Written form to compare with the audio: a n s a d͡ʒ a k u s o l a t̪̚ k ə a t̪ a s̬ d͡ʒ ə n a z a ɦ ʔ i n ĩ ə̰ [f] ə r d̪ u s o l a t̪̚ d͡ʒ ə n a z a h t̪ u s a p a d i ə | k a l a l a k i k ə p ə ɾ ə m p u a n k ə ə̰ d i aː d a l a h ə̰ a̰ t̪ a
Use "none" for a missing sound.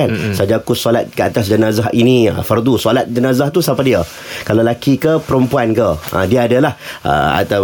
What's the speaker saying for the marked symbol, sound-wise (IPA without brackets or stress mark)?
f